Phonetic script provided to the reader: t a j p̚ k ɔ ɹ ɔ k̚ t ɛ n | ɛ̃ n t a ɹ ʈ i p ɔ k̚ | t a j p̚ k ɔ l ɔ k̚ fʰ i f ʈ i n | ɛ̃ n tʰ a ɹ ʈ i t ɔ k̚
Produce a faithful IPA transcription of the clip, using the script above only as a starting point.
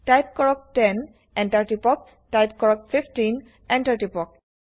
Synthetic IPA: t a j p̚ k ɔ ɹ ɔ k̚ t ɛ n | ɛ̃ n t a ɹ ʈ i p ɔ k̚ | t a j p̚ k ɔ ɹ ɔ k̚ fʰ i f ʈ i n | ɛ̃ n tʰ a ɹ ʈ i p ɔ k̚